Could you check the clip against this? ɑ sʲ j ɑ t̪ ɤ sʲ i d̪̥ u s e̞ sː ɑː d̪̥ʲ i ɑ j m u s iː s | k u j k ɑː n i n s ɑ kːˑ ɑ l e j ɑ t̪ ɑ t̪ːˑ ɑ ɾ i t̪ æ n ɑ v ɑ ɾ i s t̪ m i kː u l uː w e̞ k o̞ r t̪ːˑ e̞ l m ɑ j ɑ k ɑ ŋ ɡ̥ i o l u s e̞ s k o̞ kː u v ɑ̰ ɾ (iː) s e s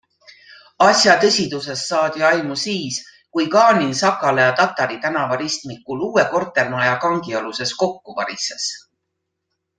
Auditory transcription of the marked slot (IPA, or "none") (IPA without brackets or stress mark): i